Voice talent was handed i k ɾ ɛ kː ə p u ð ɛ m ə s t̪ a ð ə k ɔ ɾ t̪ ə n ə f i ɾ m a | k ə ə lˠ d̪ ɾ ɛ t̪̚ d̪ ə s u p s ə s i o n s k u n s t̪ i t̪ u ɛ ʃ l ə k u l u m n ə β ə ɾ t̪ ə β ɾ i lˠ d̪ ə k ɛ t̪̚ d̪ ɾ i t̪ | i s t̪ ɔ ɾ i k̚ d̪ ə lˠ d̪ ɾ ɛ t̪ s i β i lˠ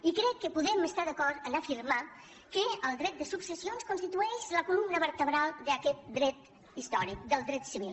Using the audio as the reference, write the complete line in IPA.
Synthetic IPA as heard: i k ɾ ɛ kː ə p u ð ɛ m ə s t̪ a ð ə k ɔ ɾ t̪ ə n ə f i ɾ m a | k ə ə lˠ d̪ ɾ ɛ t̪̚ d̪ ə s u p s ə s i o n s k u n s t̪ i t̪ u ɛ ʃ l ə k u l u m n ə β ə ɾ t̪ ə β ɾ a lˠ d̪ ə k ɛ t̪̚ d̪ ɾ ɛ t̪ | i s t̪ ɔ ɾ i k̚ d̪ ə lˠ d̪ ɾ ɛ t̪ s i β i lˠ